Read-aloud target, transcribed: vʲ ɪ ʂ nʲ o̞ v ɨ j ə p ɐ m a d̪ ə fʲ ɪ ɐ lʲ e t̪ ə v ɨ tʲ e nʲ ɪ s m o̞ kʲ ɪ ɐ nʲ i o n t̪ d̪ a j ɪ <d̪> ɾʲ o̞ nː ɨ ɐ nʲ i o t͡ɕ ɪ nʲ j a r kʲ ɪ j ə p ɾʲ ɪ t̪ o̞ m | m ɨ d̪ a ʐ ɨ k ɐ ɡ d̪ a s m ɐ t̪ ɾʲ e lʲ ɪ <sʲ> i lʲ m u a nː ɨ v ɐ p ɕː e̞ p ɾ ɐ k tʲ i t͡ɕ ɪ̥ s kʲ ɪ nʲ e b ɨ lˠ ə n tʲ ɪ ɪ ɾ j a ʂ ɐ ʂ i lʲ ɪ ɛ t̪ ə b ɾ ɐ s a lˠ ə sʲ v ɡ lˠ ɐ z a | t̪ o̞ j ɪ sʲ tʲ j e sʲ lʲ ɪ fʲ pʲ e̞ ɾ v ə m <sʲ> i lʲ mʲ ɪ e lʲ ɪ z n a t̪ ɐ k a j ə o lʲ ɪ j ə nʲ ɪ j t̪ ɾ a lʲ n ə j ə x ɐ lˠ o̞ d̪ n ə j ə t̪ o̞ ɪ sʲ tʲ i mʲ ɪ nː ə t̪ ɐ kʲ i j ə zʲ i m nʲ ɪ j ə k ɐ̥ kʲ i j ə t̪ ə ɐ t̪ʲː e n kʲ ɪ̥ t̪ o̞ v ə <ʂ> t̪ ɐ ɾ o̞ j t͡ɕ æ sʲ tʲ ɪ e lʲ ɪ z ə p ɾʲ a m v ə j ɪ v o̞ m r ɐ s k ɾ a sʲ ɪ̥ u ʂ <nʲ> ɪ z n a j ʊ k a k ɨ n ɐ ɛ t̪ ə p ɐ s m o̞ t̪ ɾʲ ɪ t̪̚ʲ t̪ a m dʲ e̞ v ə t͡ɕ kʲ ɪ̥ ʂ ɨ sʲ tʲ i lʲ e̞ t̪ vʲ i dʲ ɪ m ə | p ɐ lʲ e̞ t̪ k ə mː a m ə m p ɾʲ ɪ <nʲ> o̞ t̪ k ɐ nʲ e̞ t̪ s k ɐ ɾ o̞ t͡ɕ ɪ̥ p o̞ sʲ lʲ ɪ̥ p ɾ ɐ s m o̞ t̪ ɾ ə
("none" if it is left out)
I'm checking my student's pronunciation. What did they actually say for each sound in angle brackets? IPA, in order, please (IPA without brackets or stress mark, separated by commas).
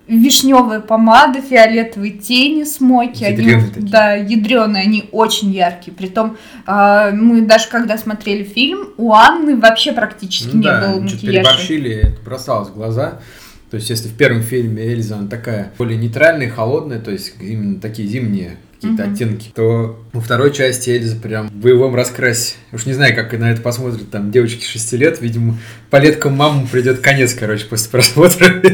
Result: d̪, fʲ, fʲ, f, nʲ, dʲ